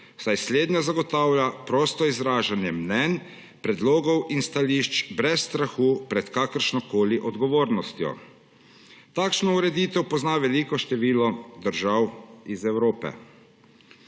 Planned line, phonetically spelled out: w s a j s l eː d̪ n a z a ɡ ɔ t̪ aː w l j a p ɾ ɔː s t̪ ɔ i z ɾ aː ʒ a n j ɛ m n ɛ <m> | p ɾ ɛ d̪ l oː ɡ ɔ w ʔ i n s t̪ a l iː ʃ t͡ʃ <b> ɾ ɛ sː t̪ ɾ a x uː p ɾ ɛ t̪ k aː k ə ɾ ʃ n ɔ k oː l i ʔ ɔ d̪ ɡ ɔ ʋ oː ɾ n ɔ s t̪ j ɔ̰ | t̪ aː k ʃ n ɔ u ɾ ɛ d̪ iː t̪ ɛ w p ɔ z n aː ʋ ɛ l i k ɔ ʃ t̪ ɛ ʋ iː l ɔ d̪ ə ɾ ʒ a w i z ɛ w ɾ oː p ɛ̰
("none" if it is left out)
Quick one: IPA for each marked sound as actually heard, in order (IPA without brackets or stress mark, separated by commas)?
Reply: n, b